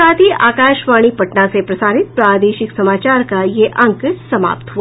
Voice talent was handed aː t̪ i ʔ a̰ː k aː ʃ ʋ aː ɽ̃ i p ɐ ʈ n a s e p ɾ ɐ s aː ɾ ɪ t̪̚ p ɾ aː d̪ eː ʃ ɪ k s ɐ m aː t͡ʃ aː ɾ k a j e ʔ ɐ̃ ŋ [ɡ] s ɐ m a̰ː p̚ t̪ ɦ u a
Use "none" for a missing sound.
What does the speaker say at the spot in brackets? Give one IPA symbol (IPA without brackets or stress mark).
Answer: k